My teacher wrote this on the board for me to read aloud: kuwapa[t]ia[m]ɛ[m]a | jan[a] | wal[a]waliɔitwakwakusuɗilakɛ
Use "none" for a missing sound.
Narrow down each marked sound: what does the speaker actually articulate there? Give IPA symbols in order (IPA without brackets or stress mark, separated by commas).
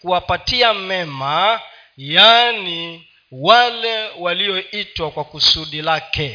t, m, m, i, ɛ